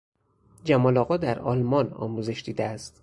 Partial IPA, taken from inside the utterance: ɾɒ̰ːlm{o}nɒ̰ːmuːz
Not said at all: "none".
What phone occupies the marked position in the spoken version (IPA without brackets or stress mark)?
ɒ